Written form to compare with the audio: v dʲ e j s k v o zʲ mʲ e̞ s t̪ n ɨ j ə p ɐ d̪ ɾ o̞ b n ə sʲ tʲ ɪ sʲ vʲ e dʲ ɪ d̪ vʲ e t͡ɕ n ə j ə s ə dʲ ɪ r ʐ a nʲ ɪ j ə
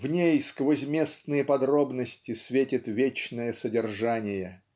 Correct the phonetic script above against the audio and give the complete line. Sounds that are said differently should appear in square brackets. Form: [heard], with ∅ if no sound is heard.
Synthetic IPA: v [nʲ] e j s k v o zʲ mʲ e̞ s t̪ n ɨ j ə p ɐ d̪ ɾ o̞ b n ə sʲ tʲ ɪ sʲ vʲ e [tʲ] ɪ [t̪] vʲ e t͡ɕ n ə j ə s ə dʲ ɪ r ʐ a nʲ ɪ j ə

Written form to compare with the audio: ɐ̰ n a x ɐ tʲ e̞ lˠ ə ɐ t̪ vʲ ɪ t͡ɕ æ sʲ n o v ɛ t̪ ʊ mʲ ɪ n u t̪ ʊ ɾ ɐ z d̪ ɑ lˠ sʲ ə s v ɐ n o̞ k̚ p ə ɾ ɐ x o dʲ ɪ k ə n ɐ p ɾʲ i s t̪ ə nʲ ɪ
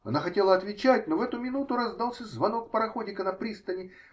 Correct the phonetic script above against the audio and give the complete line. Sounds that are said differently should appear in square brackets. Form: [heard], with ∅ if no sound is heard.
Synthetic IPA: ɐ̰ n a x ɐ tʲ e̞ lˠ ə ɐ t̪ vʲ ɪ t͡ɕ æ [tʲ] n o v ɛ t̪ ʊ mʲ ɪ n u t̪ ʊ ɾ ɐ z d̪ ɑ lˠ sʲ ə [z] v ɐ n o̞ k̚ p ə ɾ ɐ x o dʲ ɪ k ə n ɐ p ɾʲ i s t̪ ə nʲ ɪ

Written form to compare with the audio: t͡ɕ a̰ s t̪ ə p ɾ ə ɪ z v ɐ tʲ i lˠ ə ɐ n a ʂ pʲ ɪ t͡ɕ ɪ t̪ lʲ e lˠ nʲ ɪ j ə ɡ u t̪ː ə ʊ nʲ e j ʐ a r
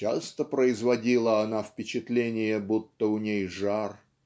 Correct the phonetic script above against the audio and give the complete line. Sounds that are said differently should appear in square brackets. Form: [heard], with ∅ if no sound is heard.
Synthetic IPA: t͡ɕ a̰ s t̪ ə p ɾ ə ɪ z v ɐ [dʲ] i lˠ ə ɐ n a [f] pʲ ɪ t͡ɕ ɪ t̪ lʲ e [∅] nʲ ɪ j ə [b] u t̪ː ə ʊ nʲ e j ʐ a r

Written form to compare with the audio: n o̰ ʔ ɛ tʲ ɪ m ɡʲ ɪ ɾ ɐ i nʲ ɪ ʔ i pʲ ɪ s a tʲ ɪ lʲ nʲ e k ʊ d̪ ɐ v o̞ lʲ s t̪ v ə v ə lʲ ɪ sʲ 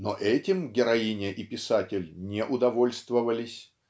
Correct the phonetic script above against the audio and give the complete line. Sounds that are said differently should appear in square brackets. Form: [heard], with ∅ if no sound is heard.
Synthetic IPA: n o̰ ʔ ɛ tʲ ɪ m ɡʲ ɪ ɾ ɐ i nʲ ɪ ʔ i pʲ ɪ s a tʲ ɪ lʲ nʲ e [ʔ] ʊ d̪ ɐ v o̞ lʲ s t̪ v ə v ə lʲ ɪ sʲ

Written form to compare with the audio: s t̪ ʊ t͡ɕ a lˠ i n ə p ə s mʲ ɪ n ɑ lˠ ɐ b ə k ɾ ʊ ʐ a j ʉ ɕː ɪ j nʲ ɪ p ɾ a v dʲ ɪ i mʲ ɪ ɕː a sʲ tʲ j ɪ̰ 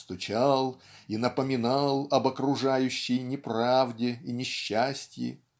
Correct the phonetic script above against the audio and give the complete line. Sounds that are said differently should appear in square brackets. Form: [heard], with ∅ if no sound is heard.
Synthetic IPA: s t̪ ʊ t͡ɕ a lˠ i n ə p ə [∅] mʲ ɪ n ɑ lˠ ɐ b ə k ɾ ʊ ʐ a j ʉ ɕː ɪ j nʲ ɪ p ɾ a v dʲ ɪ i [nʲ] ɪ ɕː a sʲ tʲ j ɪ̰

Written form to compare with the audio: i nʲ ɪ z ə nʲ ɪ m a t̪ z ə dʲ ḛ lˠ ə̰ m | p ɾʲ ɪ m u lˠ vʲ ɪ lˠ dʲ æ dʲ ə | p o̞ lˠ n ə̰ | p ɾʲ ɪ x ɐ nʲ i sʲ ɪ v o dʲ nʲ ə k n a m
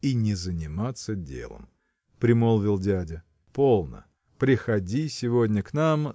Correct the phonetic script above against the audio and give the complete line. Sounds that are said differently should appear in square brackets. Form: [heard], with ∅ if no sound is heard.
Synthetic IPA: i nʲ ɪ z ə nʲ ɪ m a t̪ [s] ə dʲ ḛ lˠ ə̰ m | p ɾʲ ɪ m [o] lˠ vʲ ɪ lˠ dʲ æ dʲ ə | p o̞ lˠ n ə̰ | p ɾʲ ɪ x ɐ [dʲ] i sʲ ɪ v o dʲ nʲ ə k n a m

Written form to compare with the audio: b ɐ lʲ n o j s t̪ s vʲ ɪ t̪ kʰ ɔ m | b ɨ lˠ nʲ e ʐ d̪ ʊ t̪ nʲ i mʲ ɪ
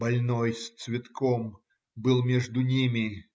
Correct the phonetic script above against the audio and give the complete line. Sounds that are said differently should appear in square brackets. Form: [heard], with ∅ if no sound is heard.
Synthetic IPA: b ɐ lʲ n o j s t̪ s vʲ ɪ t̪ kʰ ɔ m | b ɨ lˠ [mʲ] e ʐ d̪ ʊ [∅] nʲ i mʲ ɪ

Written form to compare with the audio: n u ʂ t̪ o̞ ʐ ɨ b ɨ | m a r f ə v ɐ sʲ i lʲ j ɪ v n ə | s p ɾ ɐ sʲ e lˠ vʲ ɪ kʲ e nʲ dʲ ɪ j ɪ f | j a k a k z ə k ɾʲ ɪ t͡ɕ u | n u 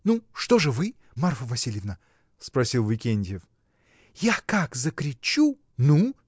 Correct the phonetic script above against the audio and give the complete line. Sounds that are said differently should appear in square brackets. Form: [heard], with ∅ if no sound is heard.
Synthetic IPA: n u ʂ t̪ o̞ ʐ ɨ [v] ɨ | m a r f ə v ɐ sʲ i lʲ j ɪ v n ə | s p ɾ ɐ sʲ [i] lˠ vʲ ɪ kʲ e nʲ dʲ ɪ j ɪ f | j a k a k z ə k ɾʲ ɪ t͡ɕ u | n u

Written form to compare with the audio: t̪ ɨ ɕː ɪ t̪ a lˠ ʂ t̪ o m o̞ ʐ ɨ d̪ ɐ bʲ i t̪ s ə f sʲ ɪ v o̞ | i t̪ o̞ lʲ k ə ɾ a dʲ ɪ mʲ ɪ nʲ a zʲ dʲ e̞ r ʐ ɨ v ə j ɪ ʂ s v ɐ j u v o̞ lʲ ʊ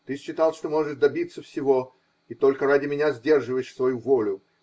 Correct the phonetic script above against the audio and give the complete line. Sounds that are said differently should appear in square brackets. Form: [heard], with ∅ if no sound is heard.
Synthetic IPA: t̪ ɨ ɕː ɪ t̪ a lˠ ʂ t̪ o m o̞ ʐ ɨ d̪ ɐ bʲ i t̪ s ə f sʲ ɪ v o̞ | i t̪ o̞ lʲ k ə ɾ a dʲ ɪ mʲ ɪ nʲ a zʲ dʲ e̞ r ʐ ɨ v ə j ɪ ʂ s v ɐ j u v o̞ lʲ ʊ

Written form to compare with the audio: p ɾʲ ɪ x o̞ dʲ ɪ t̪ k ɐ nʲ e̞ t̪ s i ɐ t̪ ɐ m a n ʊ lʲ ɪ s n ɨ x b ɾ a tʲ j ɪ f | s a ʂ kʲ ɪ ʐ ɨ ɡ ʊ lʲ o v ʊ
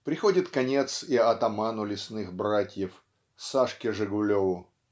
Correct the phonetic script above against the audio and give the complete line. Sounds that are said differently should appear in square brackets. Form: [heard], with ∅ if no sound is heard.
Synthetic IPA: p ɾʲ ɪ x o̞ dʲ ɪ t̪ k ɐ nʲ e̞ t̪ s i ɐ t̪ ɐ m a n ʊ lʲ ɪ s n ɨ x b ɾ a tʲ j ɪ f | s a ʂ kʲ ɪ ʐ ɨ ɡ ʊ lʲ o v ʊ

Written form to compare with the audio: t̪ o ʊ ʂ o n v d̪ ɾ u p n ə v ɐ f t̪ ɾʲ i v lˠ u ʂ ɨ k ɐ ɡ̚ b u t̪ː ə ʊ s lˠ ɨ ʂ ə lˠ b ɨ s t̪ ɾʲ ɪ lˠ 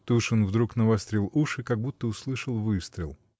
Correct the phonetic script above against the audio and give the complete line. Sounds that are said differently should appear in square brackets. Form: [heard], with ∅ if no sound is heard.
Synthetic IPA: t̪ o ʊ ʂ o n v d̪ ɾ u [k] n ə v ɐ [s] t̪ ɾʲ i [∅] lˠ u ʂ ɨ k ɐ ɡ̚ b u t̪ː ə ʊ s lˠ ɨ ʂ ə lˠ [v] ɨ s t̪ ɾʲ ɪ lˠ

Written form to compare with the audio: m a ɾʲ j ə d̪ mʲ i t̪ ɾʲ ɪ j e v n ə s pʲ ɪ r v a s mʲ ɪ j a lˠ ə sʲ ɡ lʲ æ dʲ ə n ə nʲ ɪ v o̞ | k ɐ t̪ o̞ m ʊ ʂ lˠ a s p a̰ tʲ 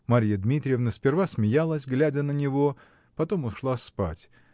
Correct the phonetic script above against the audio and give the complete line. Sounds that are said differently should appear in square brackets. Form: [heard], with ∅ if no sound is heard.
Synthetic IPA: m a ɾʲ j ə d̪ mʲ i t̪ ɾʲ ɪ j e v n ə s pʲ ɪ r v a s mʲ ɪ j a lˠ ə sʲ ɡ lʲ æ dʲ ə n ə nʲ ɪ v o̞ | [p] ɐ t̪ o̞ m ʊ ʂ lˠ a s p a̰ tʲ

